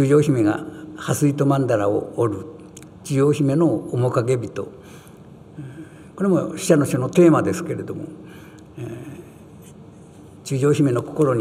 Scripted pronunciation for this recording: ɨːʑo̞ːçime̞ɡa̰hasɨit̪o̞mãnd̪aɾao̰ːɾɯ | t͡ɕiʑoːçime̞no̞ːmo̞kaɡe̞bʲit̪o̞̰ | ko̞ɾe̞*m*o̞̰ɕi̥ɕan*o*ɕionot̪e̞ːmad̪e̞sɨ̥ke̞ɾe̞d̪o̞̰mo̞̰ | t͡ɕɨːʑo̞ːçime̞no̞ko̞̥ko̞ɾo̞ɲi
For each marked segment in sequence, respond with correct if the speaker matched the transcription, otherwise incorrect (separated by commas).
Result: correct, correct